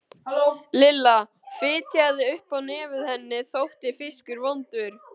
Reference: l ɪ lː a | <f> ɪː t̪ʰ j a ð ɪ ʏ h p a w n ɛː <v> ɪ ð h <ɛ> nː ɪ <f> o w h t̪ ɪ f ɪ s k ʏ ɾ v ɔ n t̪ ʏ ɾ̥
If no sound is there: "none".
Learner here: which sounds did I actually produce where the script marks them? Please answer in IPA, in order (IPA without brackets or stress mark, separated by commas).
f, v, ɛ, θ